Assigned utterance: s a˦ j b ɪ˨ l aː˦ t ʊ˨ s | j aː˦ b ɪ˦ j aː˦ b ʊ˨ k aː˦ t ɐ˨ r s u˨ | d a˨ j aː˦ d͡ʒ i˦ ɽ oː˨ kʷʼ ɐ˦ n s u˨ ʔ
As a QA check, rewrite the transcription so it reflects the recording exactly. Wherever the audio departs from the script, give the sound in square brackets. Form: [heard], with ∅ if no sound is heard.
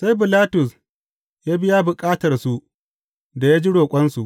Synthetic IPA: s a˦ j b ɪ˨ l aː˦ t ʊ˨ s | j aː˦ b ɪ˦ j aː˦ b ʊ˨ [kʼ] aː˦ t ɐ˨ r s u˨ | d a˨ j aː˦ d͡ʒ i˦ ɽ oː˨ kʷʼ ɐ˦ n s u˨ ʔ